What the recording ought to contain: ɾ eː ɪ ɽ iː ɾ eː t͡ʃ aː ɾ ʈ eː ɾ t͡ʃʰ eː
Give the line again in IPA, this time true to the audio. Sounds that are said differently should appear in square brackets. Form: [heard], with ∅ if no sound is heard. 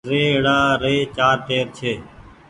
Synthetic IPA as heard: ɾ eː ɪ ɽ [aː] ɾ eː t͡ʃ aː ɾ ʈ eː ɾ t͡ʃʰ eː

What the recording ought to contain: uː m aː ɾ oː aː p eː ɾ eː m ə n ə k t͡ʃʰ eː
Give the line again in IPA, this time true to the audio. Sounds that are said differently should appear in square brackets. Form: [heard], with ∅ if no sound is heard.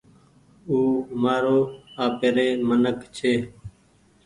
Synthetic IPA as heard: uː m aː ɾ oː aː p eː ɾ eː m ə n ə k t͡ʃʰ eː

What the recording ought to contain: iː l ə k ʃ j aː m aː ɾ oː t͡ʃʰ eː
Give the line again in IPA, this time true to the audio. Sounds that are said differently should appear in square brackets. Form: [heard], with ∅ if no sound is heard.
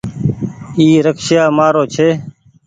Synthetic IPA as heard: iː [ɾ] ə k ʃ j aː m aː ɾ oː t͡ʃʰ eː

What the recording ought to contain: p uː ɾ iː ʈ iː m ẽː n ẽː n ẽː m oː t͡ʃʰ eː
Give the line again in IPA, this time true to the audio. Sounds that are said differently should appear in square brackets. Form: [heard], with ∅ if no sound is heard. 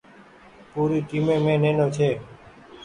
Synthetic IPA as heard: p uː ɾ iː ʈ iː m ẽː [m] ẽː n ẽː [n] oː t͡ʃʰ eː

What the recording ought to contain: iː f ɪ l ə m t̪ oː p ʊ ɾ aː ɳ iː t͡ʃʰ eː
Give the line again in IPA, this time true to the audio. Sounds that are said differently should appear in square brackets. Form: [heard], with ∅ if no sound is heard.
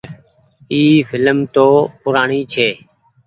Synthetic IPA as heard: iː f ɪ l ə m t̪ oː p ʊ ɾ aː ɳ iː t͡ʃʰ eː

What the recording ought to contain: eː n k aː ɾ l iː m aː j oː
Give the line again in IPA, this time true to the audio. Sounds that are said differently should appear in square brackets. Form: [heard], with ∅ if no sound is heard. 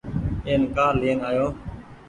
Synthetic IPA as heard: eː n k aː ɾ l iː [n] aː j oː

